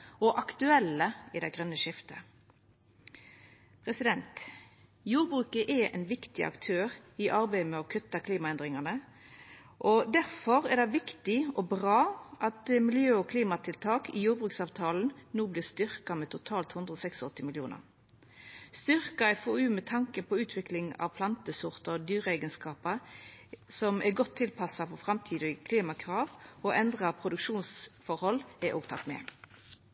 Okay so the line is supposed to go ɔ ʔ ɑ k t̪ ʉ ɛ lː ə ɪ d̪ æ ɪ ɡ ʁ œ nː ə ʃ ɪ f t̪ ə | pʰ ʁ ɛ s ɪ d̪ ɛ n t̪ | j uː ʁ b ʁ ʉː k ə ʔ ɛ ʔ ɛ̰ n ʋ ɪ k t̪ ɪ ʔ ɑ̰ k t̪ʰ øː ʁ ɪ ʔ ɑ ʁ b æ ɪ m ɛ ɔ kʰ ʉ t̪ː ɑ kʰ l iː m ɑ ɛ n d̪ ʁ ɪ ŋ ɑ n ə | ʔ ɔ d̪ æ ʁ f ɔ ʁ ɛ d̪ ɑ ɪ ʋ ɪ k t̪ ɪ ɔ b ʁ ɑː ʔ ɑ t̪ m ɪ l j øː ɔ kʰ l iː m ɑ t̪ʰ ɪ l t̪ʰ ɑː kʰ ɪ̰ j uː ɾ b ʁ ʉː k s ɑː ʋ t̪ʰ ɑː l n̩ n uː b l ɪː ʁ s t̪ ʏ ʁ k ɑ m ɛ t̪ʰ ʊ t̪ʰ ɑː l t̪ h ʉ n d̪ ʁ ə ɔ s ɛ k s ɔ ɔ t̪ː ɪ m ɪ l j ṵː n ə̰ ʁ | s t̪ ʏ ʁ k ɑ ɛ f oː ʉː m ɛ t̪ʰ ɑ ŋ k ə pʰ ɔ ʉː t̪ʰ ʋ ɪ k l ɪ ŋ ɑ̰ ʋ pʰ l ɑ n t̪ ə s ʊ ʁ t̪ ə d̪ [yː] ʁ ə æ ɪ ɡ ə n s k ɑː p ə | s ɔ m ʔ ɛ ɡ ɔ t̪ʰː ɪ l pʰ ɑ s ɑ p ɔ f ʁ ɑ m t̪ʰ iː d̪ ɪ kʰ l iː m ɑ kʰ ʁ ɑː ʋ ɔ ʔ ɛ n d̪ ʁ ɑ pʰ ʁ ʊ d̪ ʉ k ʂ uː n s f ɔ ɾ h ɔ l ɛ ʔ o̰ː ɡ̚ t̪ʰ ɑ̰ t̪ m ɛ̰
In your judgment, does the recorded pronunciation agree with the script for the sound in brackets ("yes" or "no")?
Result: yes